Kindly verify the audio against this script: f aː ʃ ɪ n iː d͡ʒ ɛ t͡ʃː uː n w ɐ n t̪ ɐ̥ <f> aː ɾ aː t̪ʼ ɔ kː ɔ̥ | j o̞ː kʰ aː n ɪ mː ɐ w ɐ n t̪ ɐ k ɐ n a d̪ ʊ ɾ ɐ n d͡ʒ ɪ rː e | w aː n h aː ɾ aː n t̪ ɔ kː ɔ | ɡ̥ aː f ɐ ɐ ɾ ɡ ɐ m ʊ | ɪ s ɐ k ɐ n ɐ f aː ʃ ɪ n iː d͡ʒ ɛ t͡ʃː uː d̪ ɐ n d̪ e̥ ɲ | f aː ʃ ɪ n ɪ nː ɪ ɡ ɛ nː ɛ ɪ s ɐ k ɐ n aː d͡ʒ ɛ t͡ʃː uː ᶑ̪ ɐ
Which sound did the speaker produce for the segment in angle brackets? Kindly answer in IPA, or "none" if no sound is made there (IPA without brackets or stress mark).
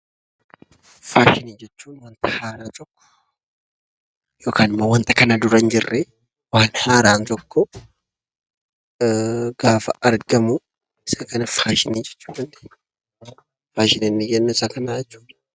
h